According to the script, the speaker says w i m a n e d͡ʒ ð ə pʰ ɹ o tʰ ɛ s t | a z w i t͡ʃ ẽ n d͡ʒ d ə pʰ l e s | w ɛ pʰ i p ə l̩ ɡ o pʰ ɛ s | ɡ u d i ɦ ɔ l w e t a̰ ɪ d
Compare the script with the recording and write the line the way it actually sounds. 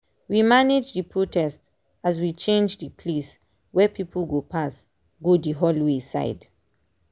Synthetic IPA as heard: w i m a n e d͡ʒ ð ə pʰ ɹ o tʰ ɛ s t | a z w i t͡ʃ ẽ n d͡ʒ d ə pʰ l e s | w ɛ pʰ i p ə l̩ ɡ o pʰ a s | ɡ o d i ɦ ɔ l w e s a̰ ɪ d